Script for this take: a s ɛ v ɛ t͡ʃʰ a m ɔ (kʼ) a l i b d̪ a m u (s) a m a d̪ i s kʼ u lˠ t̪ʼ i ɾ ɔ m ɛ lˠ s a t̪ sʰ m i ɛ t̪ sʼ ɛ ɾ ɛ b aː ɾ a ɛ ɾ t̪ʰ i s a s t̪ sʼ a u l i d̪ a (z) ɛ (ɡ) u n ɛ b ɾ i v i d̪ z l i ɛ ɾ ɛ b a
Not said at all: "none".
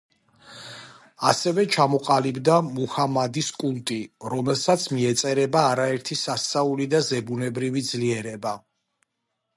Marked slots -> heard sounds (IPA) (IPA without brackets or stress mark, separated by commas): qʼ, h, z, b